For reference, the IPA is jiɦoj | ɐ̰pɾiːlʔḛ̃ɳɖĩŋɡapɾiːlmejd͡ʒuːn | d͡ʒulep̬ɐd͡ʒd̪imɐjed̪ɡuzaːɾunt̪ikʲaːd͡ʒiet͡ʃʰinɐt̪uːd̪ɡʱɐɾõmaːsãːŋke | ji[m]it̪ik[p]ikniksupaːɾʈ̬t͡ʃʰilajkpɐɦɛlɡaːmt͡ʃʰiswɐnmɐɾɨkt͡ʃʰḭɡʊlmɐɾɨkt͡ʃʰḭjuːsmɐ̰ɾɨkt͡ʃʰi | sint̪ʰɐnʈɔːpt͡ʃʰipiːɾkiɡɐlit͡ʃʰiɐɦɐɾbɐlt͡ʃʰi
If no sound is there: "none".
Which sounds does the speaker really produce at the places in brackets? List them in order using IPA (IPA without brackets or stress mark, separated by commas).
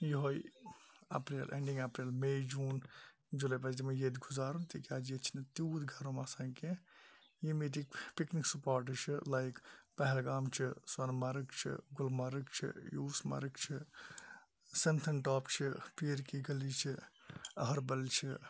m, p